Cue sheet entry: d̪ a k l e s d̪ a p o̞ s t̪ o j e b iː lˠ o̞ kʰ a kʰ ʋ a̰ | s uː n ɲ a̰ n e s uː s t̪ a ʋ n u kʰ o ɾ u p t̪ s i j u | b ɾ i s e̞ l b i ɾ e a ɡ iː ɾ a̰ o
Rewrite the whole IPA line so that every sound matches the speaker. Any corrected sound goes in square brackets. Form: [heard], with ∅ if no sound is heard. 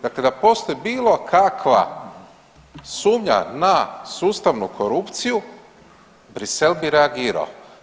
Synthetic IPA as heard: d̪ a k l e [∅] d̪ a p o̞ s t̪ o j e b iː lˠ o̞ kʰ a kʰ ʋ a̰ | s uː [m] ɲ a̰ n [a] s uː s t̪ a ʋ n u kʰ o ɾ u p t̪ s i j u | b ɾ i s e̞ l b i ɾ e a ɡ iː ɾ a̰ o